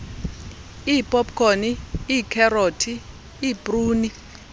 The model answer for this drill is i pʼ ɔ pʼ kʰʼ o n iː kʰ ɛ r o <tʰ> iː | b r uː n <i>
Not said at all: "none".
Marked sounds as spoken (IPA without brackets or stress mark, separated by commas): tʰ, i